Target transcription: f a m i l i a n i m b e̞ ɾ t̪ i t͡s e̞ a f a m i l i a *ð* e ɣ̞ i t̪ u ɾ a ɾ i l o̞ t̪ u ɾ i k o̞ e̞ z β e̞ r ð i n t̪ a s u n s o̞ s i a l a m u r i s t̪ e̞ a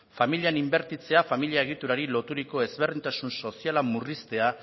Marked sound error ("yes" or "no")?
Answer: yes